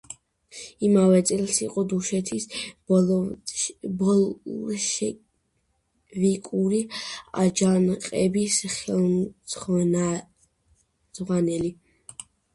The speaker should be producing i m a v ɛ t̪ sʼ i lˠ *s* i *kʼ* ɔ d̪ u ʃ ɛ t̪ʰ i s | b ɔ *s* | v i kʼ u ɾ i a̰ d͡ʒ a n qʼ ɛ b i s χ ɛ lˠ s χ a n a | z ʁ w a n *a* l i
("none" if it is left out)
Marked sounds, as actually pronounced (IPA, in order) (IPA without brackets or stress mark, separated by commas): s, qʼ, ʃ, ɛ